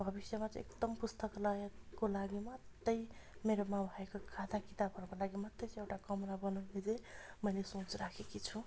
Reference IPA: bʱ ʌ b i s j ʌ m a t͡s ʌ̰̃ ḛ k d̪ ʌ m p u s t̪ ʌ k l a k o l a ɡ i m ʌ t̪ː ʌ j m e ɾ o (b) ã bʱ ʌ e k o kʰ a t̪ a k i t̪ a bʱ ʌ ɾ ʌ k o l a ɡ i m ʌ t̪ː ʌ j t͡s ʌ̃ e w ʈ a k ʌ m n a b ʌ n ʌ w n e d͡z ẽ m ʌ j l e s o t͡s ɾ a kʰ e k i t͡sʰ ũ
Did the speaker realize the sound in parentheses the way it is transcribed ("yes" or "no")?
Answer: no